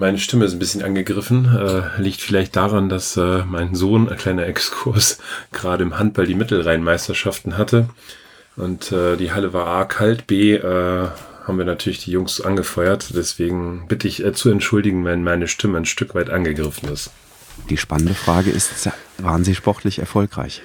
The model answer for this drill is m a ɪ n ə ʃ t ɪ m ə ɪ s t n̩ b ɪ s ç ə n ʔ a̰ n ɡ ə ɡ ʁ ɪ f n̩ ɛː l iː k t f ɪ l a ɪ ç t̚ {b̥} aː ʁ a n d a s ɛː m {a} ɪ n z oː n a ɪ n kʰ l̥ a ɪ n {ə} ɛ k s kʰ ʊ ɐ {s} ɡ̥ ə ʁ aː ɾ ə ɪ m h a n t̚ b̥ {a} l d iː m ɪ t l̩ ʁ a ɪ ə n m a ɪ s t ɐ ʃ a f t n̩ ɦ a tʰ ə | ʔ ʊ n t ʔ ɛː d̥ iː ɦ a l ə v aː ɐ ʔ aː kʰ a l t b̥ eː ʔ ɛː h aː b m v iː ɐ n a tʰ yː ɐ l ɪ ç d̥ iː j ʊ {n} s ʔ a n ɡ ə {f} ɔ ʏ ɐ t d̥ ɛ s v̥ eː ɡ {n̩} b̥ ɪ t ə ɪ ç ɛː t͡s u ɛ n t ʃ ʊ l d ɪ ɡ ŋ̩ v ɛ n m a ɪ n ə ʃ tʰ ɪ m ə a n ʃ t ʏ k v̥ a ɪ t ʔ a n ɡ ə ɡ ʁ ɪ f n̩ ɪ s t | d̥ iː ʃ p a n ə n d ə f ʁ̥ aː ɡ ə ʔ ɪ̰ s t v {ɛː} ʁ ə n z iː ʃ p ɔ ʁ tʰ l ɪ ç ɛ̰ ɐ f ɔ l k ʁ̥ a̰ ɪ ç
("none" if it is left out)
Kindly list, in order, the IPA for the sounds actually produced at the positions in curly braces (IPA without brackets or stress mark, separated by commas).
d̥, a, ɐ, s, a, ŋ, f, ŋ̩, aː